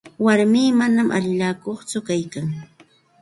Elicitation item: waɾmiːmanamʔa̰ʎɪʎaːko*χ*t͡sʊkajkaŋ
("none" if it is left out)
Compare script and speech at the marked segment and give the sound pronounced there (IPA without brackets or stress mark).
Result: χ